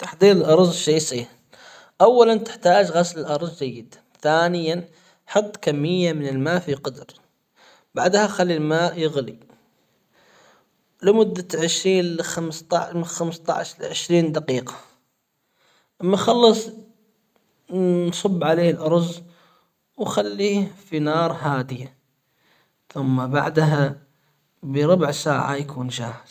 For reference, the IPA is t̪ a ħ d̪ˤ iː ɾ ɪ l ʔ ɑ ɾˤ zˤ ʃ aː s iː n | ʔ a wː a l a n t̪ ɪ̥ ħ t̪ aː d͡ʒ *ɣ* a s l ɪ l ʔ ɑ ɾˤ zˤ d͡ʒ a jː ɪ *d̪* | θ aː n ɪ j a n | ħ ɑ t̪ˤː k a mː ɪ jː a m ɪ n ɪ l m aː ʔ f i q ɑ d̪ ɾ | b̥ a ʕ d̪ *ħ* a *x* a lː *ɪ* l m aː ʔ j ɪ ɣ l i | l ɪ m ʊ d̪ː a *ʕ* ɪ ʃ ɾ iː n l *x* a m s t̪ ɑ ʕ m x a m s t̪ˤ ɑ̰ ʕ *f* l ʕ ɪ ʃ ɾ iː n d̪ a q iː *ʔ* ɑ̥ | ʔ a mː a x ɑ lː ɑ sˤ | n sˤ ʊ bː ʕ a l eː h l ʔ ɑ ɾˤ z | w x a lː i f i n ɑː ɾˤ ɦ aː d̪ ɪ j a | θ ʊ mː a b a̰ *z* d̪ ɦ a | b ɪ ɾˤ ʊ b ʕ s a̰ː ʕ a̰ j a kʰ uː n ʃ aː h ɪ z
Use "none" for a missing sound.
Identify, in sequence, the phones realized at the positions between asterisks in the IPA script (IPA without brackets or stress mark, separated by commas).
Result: ɣ, d̪, h, x, i, ʕ, x, ʃ, q, ʕ